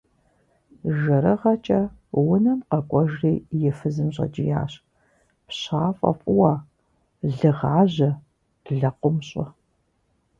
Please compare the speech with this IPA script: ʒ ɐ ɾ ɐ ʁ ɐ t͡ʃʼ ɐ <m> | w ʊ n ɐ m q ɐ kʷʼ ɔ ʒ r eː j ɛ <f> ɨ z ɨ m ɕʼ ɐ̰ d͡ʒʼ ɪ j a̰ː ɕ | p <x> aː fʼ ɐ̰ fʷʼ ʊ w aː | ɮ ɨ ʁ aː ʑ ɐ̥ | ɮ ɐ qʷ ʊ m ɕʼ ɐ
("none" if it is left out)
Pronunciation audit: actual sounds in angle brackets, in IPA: none, f, ɕ

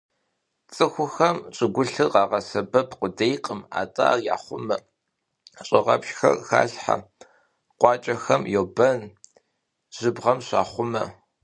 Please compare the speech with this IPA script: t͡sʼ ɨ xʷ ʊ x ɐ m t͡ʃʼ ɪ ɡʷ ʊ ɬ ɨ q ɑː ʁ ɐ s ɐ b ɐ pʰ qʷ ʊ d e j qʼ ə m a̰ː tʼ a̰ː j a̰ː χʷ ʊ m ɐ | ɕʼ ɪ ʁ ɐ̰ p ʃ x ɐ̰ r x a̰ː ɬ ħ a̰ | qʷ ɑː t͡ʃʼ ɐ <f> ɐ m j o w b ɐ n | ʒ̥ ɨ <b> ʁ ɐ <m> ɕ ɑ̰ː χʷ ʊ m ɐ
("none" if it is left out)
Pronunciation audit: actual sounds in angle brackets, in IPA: x, b, m

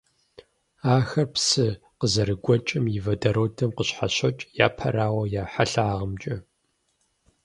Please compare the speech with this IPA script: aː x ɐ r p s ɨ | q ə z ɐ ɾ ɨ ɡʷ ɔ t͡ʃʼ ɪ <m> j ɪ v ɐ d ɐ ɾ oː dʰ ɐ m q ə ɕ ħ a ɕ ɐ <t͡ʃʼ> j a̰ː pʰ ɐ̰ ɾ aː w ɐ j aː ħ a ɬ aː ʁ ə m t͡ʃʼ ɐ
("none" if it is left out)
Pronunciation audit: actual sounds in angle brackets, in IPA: m, t͡ʃʼ

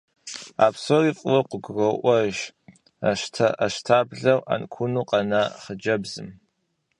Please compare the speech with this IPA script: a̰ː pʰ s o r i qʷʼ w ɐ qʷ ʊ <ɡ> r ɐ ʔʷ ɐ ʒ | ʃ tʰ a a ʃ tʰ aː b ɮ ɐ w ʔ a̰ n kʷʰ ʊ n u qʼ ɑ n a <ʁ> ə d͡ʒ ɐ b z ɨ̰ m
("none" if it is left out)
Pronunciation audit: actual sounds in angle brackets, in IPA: ɡ, χ

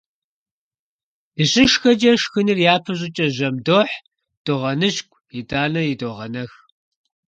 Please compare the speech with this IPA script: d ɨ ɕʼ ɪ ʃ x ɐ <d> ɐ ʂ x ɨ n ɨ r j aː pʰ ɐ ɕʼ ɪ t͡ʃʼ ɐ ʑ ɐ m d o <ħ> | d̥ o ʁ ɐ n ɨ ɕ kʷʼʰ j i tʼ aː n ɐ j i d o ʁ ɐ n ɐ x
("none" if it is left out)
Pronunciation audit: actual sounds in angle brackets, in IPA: d͡ʒ, ħ

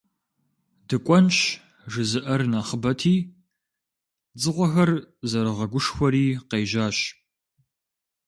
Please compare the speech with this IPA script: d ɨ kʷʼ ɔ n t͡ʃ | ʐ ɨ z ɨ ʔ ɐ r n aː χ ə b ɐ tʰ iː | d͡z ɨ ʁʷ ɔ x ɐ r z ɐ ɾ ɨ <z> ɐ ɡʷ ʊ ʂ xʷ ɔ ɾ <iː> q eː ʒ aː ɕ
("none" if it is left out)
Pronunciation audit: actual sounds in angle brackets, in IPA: ʁ, iː

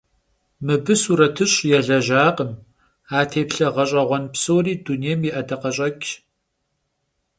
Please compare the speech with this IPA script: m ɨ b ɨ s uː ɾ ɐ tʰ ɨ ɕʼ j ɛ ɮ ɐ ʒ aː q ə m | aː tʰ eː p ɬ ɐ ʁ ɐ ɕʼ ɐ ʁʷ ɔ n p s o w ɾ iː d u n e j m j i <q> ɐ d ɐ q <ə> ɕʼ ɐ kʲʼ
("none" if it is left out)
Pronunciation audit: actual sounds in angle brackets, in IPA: ʔ, ɐ

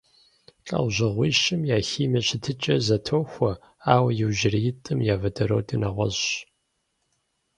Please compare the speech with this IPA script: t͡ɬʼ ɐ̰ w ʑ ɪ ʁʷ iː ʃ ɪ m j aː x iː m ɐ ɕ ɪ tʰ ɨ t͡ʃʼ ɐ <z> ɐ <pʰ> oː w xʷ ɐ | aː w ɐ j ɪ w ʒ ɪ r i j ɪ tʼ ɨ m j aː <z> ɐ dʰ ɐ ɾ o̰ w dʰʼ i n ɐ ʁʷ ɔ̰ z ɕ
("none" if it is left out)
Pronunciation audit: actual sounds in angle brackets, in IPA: z, tʰ, v

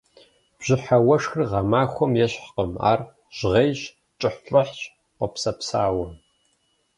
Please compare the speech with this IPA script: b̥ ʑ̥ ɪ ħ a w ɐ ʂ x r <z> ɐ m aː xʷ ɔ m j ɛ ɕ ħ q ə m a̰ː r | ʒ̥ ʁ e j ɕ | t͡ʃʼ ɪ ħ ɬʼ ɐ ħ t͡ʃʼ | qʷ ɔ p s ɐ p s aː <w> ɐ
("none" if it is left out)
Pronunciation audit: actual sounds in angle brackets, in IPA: ʁ, w

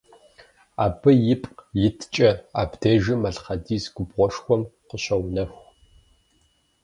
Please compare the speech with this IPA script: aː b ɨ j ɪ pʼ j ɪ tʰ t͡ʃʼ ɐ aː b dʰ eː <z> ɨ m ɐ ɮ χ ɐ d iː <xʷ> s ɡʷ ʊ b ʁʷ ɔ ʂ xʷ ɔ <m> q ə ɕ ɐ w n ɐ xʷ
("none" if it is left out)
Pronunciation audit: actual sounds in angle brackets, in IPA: ʒ, none, m

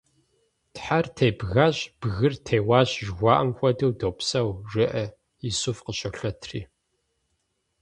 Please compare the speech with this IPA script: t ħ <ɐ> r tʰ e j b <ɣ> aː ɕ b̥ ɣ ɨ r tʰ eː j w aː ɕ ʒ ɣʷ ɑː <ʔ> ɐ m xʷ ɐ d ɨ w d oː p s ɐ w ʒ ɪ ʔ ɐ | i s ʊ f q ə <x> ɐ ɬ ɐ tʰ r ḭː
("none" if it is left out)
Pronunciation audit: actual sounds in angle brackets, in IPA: a, ɣ, ʔ, ɕ

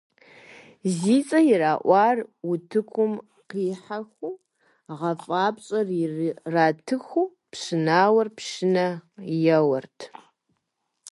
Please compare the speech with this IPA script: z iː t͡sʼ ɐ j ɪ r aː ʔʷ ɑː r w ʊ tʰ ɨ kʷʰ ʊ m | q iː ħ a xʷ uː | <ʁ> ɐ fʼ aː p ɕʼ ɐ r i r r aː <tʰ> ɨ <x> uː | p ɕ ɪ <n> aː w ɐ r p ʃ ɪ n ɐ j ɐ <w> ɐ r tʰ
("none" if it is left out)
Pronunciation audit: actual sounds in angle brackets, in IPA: ʁ, tʰ, x, n, w

